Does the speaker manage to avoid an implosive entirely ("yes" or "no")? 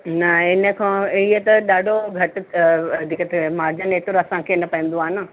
no